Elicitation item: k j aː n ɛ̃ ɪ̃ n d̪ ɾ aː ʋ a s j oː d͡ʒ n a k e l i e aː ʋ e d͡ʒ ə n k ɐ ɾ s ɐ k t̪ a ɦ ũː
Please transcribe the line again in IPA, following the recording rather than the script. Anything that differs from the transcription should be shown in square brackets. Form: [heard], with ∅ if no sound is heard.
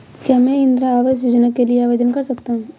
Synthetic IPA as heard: k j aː [m] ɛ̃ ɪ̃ n d̪ ɾ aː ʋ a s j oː d͡ʒ n a k e l i e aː ʋ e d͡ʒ ə n k ɐ ɾ s ɐ k t̪ a ɦ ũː